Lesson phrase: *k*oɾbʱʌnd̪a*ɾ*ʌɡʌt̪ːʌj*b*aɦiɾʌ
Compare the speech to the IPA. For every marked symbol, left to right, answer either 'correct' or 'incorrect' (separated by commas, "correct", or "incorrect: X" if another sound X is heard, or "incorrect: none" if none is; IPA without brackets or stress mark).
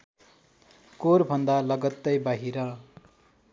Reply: correct, incorrect: l, correct